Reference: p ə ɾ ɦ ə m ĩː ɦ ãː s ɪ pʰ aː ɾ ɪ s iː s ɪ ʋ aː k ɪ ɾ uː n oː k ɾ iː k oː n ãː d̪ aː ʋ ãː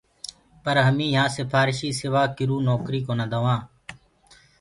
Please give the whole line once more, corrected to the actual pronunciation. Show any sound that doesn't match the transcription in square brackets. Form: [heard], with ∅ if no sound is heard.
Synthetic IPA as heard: p ə ɾ ɦ ə m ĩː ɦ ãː s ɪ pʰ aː ɾ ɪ [ʃ] iː s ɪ ʋ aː k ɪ ɾ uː n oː k ɾ iː k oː n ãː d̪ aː ʋ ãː